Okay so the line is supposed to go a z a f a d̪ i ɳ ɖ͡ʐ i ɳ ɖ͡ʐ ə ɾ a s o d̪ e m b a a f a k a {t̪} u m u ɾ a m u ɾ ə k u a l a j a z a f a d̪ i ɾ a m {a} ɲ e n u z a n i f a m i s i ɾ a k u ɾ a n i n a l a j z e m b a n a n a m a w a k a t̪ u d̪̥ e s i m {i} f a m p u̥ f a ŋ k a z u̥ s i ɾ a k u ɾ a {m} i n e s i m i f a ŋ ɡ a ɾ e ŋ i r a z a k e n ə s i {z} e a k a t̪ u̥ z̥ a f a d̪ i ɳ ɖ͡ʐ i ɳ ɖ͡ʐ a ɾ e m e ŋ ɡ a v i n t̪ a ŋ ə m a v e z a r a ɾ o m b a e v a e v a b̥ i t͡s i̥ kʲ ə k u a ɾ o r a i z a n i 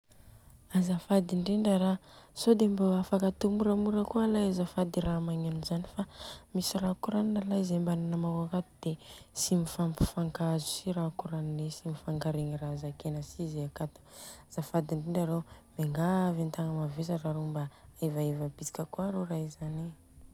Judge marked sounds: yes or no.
yes, yes, yes, no, yes

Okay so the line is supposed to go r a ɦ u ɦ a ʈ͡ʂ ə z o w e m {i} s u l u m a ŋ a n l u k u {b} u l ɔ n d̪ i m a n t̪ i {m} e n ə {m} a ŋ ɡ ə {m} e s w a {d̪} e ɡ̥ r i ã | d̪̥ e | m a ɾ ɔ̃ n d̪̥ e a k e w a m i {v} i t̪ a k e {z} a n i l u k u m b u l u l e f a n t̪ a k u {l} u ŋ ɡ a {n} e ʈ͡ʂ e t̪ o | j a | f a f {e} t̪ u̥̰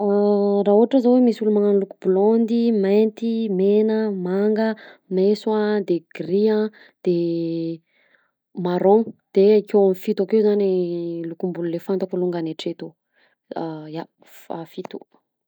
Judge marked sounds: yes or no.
yes, yes, yes, yes, yes, yes, no, yes, yes, yes, no

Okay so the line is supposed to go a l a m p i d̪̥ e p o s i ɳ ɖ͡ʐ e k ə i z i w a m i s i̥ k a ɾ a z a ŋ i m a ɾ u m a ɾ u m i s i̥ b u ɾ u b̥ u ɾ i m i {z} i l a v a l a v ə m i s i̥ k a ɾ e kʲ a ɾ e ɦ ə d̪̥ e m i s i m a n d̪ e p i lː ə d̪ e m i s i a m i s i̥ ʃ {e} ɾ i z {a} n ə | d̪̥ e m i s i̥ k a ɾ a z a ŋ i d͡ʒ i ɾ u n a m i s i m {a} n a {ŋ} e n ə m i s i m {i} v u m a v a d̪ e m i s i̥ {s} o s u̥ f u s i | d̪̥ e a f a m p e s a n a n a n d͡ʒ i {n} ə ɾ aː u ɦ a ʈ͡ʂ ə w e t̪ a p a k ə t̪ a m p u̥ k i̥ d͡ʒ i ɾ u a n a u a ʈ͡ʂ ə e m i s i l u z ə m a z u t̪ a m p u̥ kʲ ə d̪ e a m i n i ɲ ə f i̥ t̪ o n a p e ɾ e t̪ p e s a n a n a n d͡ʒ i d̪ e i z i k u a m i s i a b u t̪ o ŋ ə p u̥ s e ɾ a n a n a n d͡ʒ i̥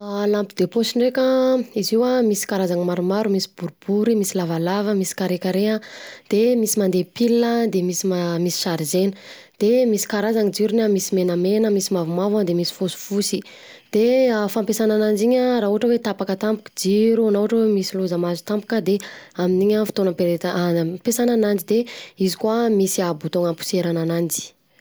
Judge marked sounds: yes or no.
no, no, no, no, no, no, no, no

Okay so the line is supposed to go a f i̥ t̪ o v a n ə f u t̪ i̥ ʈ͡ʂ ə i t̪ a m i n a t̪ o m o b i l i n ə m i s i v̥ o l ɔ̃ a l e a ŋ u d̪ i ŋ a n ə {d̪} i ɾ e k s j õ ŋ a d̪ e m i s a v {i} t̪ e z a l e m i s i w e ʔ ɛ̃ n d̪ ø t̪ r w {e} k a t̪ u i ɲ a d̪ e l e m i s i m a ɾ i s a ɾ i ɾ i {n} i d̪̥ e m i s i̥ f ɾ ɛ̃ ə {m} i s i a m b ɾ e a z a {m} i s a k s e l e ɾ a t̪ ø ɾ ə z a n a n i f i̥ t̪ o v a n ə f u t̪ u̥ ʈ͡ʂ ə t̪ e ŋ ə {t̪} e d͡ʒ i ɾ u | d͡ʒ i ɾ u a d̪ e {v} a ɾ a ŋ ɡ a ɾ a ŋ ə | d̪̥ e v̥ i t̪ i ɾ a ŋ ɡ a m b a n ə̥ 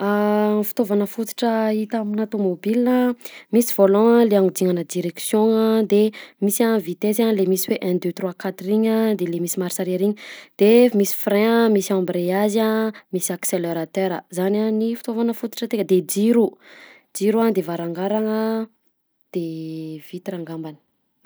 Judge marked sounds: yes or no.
yes, yes, no, no, yes, yes, no, yes

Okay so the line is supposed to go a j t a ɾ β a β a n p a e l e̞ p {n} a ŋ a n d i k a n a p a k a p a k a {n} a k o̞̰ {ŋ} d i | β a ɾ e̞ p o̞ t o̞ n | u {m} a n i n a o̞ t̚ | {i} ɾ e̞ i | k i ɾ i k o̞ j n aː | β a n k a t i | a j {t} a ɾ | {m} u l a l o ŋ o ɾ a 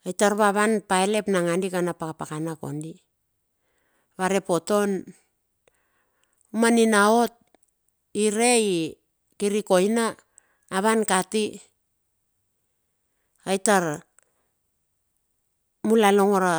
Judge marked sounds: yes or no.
yes, yes, no, yes, yes, yes, yes

